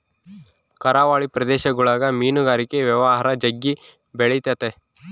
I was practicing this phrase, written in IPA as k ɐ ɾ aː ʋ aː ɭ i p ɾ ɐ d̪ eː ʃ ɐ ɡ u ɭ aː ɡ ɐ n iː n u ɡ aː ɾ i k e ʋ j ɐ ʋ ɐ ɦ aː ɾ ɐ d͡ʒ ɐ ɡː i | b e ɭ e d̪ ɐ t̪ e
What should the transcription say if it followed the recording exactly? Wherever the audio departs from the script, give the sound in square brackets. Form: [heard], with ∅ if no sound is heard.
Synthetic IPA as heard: k ɐ ɾ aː ʋ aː ɭ i p ɾ ɐ d̪ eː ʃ ɐ ɡ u ɭ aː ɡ ɐ [m] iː n u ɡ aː ɾ i k e ʋ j ɐ ʋ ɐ ɦ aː ɾ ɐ d͡ʒ ɐ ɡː i | b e ɭ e [t̪] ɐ t̪ e